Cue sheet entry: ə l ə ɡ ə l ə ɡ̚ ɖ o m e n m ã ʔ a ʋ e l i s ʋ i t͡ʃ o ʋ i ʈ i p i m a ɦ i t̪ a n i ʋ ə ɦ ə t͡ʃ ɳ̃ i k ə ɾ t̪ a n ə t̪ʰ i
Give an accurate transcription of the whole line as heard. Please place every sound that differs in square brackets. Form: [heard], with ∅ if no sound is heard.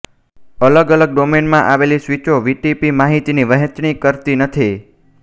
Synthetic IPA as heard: ə l ə ɡ ə l ə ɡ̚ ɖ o m e n m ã ʔ a ʋ e l i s ʋ i t͡ʃ o ʋ i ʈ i p i m a ɦ i t̪ [i] n i ʋ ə ɦ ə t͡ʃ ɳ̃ i k ə ɾ t̪ [i] n ə t̪ʰ i